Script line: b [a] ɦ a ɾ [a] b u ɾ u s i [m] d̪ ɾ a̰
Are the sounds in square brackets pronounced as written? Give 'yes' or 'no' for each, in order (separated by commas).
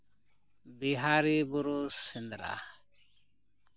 no, no, no